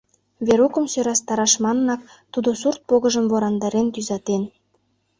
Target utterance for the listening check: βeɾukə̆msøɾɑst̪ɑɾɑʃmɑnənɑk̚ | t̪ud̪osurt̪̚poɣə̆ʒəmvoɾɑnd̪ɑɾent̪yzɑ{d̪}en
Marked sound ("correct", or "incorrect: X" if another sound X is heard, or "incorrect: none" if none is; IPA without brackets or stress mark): incorrect: t̪